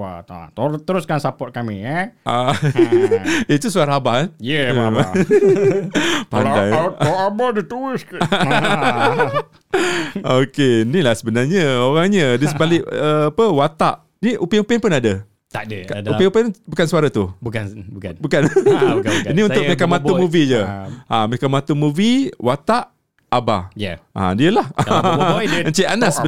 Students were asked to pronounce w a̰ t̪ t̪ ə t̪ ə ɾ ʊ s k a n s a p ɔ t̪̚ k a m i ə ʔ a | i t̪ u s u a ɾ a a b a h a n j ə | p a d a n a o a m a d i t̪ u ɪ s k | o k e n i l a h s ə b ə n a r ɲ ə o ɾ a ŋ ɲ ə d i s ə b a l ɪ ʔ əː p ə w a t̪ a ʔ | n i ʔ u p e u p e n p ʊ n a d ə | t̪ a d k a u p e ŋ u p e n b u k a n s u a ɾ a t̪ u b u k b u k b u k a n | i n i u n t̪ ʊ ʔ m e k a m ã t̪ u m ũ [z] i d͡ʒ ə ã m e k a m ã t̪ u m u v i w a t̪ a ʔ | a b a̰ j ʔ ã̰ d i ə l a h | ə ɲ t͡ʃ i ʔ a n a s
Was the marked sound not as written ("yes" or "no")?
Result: yes